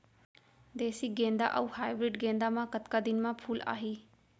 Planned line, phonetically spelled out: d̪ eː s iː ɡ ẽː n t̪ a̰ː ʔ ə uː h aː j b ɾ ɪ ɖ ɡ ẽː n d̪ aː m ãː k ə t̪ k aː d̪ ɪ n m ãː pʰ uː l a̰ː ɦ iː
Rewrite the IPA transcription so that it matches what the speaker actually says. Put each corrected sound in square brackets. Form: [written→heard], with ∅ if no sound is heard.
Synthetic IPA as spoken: d̪ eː s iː ɡ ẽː n [t̪→d̪] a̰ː ʔ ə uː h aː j b ɾ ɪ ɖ ɡ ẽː n d̪ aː m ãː k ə t̪ k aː d̪ ɪ n m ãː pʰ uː l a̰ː ɦ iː